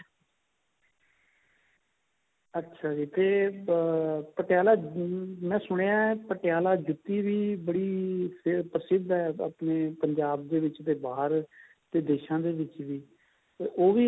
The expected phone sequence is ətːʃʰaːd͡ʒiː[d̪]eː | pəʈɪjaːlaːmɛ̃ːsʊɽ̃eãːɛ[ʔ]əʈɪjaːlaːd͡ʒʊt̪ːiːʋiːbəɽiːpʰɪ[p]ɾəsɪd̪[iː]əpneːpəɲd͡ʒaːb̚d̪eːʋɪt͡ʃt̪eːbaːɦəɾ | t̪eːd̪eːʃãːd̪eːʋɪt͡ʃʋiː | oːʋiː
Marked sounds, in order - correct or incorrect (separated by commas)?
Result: incorrect, incorrect, correct, incorrect